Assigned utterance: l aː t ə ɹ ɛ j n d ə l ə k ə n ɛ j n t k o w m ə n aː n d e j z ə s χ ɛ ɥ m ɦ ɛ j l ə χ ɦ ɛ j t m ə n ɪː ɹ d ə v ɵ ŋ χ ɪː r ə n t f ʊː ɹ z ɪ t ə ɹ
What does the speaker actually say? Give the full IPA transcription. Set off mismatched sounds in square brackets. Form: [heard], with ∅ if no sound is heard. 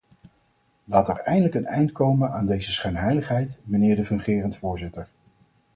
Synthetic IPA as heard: l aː t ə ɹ ɛ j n d ə l ə k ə n ɛ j n t k o w m ə n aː n d e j z ə s χ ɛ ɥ [n] ɦ ɛ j l ə χ ɦ ɛ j t m ə n ɪː ɹ d ə v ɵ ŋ χ ɪː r ə n t f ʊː ɹ z ɪ t ə ɹ